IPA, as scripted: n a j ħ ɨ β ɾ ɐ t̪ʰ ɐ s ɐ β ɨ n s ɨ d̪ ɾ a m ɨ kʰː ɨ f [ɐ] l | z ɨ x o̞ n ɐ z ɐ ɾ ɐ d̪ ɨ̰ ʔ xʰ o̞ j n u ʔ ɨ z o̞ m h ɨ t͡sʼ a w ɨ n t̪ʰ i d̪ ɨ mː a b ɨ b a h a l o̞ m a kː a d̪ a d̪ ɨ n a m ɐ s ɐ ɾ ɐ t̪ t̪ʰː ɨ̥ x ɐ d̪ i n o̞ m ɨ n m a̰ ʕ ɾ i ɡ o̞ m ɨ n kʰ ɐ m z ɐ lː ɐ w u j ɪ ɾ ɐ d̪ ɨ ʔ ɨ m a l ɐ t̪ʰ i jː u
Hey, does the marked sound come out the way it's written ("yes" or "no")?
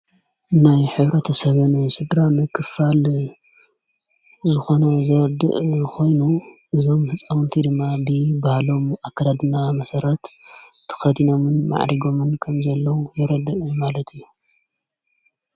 no